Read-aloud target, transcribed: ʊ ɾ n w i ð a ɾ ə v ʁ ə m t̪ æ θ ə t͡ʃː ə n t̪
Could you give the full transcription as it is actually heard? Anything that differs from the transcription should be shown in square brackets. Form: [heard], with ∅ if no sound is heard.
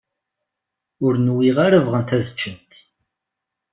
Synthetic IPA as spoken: ʊ ɾ n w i [ʁ] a ɾ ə v ʁ ə [n] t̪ æ [ð] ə t͡ʃː ə n t̪